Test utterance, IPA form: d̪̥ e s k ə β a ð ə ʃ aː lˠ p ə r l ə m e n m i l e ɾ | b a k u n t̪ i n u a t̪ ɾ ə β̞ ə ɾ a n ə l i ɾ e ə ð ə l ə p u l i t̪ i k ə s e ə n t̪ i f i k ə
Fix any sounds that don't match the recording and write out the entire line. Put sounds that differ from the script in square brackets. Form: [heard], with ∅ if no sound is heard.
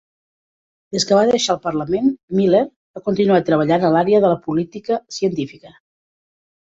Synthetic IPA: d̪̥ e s k ə β a ð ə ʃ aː lˠ p ə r l ə m e n m i l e ɾ | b a k u n t̪ i n u a t̪ ɾ ə β̞ ə [ʎ] a n ə l [a] ɾ e ə ð ə l ə p u l i t̪ i k ə s [i] ə n t̪ i f i k ə